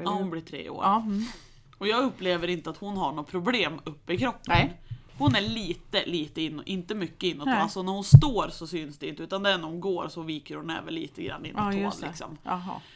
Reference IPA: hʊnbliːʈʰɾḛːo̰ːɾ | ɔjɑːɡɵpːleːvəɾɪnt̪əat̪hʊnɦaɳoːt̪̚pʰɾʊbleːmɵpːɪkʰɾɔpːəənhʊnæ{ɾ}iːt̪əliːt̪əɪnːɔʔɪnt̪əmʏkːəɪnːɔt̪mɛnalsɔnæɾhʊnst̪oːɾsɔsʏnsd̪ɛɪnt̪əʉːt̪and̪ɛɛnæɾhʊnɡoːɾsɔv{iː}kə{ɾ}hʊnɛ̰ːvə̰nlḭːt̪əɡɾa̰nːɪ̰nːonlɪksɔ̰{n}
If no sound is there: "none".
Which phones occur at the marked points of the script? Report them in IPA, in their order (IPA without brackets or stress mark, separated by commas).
ɭ, iː, ɾ, m